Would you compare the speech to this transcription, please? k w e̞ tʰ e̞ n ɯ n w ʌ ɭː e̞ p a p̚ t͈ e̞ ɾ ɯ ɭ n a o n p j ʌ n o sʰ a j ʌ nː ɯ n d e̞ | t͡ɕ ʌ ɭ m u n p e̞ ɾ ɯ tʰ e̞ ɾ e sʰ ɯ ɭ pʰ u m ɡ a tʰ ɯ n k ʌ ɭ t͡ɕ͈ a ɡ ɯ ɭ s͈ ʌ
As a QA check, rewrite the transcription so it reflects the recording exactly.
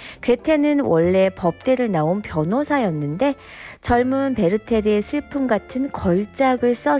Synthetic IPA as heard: k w e̞ tʰ e̞ n ɯ n w ʌ ɭː e̞ p ʌ p̚ t͈ e̞ ɾ ɯ ɭ n a o n p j ʌ n o sʰ a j ʌ nː ɯ n d e̞ | t͡ɕ ʌ ɭ m u n p e̞ ɾ ɯ tʰ e̞ ɾ e sʰ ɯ ɭ pʰ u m ɡ a tʰ ɯ n k ʌ ɭ t͡ɕ͈ a ɡ ɯ ɭ s͈ ʌ